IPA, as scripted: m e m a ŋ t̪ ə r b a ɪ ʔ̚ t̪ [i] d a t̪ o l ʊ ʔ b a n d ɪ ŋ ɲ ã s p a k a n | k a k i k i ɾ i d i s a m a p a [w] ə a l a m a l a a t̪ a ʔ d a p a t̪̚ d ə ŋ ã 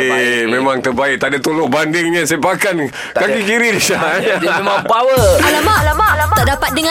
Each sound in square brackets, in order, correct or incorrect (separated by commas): incorrect, correct